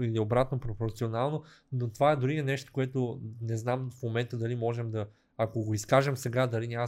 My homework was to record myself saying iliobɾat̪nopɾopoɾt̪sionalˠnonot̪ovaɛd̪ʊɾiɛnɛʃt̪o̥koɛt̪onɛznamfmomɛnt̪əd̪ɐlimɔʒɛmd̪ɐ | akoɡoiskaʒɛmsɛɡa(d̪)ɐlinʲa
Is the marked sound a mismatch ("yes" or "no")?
no